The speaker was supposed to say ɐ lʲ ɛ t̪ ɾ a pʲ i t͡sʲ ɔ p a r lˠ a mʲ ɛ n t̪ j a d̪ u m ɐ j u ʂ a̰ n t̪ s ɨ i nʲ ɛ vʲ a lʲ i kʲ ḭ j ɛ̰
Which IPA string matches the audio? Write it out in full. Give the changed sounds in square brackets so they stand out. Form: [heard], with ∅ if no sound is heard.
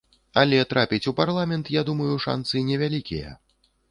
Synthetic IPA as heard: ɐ lʲ ɛ t̪ ɾ a pʲ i t͡sʲ [u] p a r lˠ a mʲ ɛ n t̪ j a d̪ u m ɐ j u ʂ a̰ n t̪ s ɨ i nʲ ɛ vʲ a lʲ i kʲ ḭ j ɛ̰